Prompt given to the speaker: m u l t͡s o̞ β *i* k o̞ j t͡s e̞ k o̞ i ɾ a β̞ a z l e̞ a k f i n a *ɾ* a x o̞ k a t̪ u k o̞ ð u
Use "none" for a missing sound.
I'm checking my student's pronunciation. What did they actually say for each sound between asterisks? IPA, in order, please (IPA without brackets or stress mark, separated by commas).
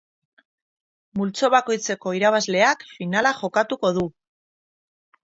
a, l